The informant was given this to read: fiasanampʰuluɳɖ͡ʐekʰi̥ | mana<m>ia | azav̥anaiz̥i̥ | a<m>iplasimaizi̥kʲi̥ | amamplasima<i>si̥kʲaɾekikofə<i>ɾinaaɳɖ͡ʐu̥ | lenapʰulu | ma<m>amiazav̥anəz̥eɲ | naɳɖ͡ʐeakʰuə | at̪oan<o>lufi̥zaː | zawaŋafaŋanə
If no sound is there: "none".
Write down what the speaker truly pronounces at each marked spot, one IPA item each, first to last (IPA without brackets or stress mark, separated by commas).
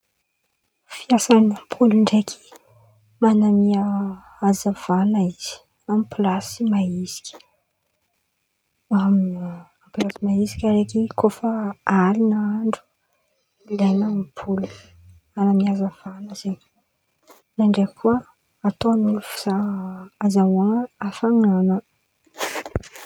m, m, i, a, n, u